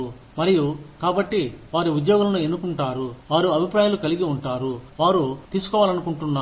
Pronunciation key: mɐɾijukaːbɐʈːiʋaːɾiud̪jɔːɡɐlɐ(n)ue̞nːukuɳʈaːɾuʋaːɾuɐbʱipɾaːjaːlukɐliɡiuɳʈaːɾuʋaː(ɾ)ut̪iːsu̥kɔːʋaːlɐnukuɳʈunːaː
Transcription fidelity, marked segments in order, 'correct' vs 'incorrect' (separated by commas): correct, correct